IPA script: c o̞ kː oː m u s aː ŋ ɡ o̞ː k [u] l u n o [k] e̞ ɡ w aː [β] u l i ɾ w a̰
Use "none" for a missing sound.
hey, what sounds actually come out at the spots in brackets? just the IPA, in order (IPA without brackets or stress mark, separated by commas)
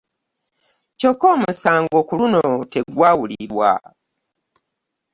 u, t, w